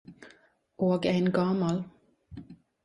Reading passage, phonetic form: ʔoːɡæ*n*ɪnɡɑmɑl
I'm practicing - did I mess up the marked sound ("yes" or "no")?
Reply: yes